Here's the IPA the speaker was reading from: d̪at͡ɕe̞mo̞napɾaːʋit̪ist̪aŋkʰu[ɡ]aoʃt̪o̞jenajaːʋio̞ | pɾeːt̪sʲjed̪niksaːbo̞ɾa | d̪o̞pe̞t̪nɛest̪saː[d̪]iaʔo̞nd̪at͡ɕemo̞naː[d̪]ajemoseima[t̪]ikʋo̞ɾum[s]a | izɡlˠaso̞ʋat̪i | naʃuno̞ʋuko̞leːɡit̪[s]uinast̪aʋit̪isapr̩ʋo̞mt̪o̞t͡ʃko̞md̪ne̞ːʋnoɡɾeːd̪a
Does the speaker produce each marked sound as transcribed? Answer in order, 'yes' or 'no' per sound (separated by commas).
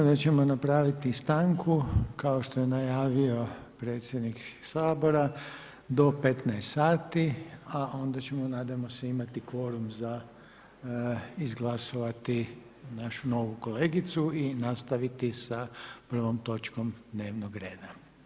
no, no, yes, yes, no, yes